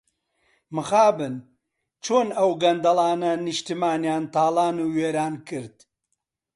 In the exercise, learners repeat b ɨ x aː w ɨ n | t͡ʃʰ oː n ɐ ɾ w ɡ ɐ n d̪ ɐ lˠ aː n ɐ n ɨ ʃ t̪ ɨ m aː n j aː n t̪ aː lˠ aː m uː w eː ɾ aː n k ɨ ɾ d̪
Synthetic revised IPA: m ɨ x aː b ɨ n | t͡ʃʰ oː n ɐ w ɡ ɐ n d̪ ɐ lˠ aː n ɐ n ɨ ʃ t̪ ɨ m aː n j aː n t̪ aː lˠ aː n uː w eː ɾ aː n k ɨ ɾ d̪